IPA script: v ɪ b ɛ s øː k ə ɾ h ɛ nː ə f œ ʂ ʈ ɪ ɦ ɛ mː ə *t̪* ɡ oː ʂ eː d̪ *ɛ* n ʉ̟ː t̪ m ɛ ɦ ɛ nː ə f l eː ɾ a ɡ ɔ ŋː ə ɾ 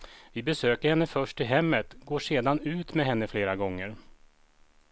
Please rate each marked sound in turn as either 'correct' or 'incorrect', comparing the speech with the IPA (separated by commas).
correct, incorrect